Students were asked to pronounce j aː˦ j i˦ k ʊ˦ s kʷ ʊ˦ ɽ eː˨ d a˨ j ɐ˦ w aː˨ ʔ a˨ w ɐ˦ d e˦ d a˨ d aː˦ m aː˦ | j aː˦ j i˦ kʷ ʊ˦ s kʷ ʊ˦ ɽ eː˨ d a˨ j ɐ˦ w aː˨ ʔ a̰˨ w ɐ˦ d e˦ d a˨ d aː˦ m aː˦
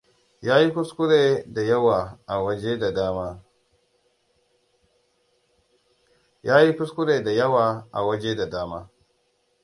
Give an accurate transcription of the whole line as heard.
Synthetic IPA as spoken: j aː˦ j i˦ k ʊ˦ s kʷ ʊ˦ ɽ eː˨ d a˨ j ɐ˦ w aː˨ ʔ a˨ w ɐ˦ d͡ʒ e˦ d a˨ d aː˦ m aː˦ | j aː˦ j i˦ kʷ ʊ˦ s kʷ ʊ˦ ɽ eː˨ d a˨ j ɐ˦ w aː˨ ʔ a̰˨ w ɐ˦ d͡ʒ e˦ d a˨ d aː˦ m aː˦